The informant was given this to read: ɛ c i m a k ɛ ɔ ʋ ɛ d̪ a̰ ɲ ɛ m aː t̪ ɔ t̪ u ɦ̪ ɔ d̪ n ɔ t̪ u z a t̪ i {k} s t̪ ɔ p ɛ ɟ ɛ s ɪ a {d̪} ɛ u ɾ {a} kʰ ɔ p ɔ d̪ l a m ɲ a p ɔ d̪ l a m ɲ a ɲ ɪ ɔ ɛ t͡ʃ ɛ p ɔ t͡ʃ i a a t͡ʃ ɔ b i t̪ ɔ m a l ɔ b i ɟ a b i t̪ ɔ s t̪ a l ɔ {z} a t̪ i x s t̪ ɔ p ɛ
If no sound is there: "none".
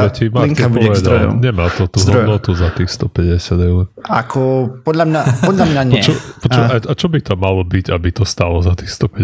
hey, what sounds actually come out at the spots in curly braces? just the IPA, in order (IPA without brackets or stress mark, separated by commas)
x, d̪, a, z